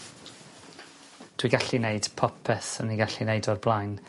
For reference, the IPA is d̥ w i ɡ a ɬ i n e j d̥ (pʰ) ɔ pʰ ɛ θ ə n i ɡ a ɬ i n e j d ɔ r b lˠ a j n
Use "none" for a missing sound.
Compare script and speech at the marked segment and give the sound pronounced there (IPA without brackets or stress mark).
pʰ